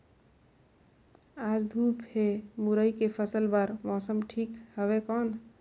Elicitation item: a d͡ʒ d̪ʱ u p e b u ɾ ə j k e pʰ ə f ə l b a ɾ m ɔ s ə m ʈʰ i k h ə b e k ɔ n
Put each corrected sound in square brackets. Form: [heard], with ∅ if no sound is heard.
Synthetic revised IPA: a d͡ʒ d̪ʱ u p e [m] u ɾ ə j k e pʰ ə [s] ə l b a ɾ m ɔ s ə m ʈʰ i k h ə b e k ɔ n